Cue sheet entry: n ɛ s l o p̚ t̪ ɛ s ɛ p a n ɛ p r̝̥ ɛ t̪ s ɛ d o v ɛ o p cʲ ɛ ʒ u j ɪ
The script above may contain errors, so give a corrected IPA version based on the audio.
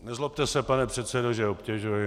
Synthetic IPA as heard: n ɛ z l o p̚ t̪ ɛ s ɛ p a n ɛ p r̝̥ ɛ t̪ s ɛ d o ʒ ɛ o p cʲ ɛ ʒ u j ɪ

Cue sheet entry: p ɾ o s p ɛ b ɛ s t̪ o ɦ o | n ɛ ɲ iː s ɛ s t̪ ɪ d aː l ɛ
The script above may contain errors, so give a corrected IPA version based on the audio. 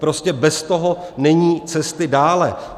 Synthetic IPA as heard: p ɾ o s c ɛ b ɛ s t̪ o ɦ o | n ɛ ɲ iː t͡s ɛ s t̪ ɪ d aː l ɛ

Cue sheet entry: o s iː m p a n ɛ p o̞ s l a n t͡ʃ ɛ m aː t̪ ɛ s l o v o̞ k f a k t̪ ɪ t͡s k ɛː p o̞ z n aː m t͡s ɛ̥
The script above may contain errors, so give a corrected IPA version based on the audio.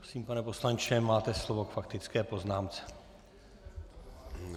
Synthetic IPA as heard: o s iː m p a n ɛ p o̞ s l a n t͡ʃ ɛ m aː t̪ ɛ s l o v o̞ k f a k t̪ ɪ t͡s k ɛː p o̞ z n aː m t͡s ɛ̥

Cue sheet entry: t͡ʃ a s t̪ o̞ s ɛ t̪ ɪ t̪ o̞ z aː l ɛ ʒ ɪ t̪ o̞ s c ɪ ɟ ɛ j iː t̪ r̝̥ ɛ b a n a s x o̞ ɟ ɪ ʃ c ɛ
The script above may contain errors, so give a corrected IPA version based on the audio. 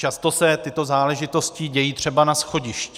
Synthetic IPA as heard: t͡ʃ a s t̪ o̞ s ɛ t̪ ɪ t̪ o̞ z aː l ɛ ʒ ɪ t̪ o̞ s c ɪ ɟ ɛ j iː t̪ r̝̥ ɛ b a n a s x o̞ ɟ ɪ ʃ c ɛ

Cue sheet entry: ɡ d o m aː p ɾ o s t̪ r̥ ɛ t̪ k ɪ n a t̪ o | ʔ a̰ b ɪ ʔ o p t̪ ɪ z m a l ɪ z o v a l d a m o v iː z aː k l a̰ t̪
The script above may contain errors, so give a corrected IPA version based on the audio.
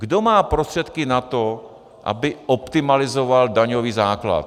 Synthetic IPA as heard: ɡ d o m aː p ɾ o s t̪ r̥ ɛ t̪ k ɪ n a t̪ o | ʔ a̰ b ɪ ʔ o p t̪ ɪ m a l ɪ z o v a l d a ɲ o v iː z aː k l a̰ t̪

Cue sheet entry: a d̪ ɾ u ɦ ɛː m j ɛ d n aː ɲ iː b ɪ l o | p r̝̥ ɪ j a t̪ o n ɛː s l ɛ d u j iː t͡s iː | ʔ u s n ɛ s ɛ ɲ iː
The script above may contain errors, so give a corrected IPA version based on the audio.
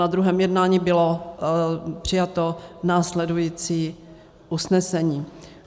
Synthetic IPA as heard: a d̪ ɾ u ɦ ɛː m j ɛ d n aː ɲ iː b ɪ l o | p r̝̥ ɪ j a t̪ o n aː s l ɛ d u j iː t͡s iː | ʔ u s n ɛ s ɛ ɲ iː

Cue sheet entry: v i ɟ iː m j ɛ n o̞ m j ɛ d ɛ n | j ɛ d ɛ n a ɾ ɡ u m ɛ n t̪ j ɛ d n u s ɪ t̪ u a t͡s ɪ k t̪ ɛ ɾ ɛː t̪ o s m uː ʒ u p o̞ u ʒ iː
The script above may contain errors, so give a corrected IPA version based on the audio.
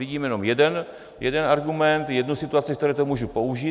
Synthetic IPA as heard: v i ɟ iː m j ɛ n o̞ m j ɛ d ɛ n | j ɛ d ɛ n a ɾ ɡ u m ɛ n t̪ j ɛ d n u s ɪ t̪ u a t͡s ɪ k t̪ ɛ ɾ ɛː t̪ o m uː ʒ u p o̞ u ʒ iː

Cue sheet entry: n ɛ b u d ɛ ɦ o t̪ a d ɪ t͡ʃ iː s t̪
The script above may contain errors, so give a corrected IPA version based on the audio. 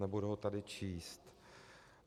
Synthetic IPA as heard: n ɛ b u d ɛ ɦ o t̪ a d ɪ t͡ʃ iː s t̪

